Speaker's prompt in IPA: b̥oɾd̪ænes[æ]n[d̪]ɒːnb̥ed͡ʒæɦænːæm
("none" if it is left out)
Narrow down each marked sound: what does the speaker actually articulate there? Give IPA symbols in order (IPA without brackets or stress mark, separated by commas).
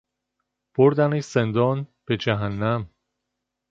e, d̪